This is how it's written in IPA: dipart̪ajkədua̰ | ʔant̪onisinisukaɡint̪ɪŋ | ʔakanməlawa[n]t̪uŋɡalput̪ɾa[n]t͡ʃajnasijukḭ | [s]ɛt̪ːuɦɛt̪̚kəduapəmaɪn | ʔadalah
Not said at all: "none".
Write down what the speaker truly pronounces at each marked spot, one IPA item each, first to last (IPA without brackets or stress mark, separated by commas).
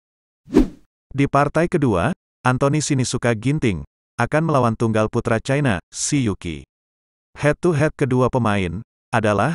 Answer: n, none, h